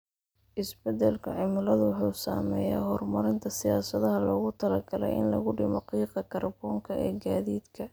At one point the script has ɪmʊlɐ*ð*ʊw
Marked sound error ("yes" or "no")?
no